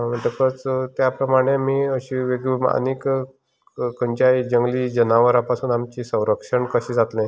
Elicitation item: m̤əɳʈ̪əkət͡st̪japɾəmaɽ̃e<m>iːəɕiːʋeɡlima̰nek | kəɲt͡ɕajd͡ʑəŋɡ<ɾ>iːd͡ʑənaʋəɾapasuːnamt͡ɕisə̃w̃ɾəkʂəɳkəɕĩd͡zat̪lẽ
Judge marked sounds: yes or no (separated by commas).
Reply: yes, no